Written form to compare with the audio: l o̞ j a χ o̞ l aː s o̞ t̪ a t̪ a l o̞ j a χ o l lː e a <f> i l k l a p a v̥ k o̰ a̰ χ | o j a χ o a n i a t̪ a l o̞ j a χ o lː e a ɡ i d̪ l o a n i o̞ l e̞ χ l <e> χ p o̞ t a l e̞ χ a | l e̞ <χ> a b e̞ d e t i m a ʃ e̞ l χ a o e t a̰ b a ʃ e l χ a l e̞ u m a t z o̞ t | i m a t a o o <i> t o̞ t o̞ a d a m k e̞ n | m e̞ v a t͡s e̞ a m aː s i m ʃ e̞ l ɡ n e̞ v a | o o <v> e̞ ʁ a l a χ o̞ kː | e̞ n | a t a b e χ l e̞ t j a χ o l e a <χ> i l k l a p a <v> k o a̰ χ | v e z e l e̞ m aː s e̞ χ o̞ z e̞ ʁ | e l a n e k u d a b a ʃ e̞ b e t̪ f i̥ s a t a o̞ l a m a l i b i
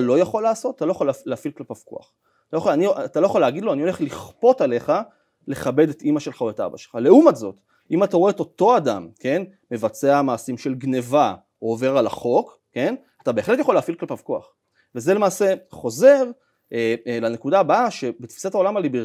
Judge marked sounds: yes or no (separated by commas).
yes, no, yes, no, yes, no, yes